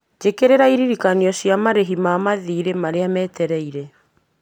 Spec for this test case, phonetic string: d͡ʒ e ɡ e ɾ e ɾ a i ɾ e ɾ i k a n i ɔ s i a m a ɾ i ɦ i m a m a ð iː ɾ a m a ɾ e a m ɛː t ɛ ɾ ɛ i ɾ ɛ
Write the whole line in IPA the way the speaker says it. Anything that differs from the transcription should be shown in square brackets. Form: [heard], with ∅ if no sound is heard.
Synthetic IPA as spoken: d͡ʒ e [k] e ɾ e ɾ a i ɾ [i] ɾ i k a n i ɔ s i a m a ɾ [e] ɦ i m a m a ð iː ɾ [e] m a ɾ e a m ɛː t ɛ ɾ ɛ i ɾ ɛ